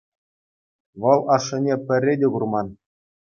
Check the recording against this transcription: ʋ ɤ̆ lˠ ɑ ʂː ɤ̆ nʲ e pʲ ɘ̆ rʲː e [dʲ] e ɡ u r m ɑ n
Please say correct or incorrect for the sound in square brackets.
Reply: correct